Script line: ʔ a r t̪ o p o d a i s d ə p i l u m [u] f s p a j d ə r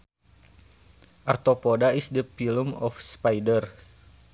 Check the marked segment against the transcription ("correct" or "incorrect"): incorrect